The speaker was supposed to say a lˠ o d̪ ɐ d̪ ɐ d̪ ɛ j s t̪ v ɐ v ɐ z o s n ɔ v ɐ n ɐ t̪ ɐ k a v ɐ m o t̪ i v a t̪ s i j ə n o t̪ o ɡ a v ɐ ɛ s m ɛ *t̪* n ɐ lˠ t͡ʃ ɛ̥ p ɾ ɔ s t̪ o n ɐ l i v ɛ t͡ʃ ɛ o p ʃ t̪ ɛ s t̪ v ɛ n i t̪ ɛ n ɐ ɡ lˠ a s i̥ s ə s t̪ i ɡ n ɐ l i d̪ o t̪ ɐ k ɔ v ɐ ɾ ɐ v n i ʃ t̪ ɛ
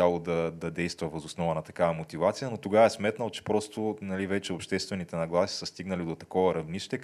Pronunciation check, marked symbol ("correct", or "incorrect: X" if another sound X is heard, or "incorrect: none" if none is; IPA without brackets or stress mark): correct